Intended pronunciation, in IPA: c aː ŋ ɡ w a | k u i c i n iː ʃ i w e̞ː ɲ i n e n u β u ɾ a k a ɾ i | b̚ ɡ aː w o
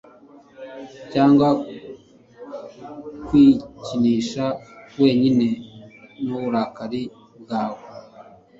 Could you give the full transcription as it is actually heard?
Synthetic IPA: c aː ŋ ɡ w a | k w i c i n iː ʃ a w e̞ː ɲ i n e n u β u ɾ a k a ɾ i | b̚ ɡ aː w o